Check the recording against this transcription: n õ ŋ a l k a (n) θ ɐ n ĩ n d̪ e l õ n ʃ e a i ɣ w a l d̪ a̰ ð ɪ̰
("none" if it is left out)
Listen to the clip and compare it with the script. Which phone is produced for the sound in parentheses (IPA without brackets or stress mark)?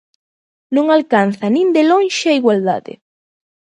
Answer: n